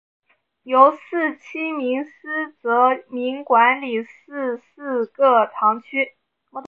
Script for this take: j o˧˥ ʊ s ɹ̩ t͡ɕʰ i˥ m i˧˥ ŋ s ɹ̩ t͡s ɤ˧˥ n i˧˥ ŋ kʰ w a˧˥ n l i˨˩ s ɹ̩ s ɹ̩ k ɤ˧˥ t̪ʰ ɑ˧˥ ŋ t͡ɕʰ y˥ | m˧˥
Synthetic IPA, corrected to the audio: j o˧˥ ʊ s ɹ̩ t͡ɕʰ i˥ m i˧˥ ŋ s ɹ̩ t͡s ɤ˧˥ m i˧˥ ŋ k w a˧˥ n l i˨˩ s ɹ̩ s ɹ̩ k ɤ˥˩ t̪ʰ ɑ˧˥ ŋ t͡ɕʰ y˥ | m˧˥